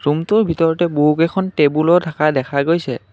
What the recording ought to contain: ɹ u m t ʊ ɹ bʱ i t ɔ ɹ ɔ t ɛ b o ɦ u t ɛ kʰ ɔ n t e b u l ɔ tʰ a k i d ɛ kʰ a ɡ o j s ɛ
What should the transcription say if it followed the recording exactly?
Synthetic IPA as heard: ɹ u m t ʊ ɹ bʱ i t ɔ ɹ ɔ t ɛ b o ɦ u k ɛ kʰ ɔ n t e b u l ɔ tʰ a k a d ɛ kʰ a ɡ o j s ɛ